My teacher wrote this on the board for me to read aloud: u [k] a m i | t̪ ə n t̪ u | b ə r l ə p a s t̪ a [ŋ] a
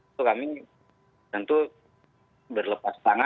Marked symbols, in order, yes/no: yes, yes

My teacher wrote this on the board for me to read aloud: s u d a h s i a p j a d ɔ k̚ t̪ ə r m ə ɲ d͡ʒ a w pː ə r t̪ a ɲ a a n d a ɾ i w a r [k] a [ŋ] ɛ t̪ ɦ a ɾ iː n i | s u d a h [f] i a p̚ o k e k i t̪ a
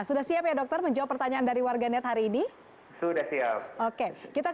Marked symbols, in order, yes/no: no, no, no

